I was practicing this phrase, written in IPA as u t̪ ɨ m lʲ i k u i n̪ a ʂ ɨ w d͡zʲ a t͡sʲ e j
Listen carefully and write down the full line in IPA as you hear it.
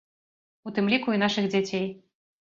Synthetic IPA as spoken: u t̪ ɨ m lʲ i k u i n̪ a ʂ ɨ ɣ d͡zʲ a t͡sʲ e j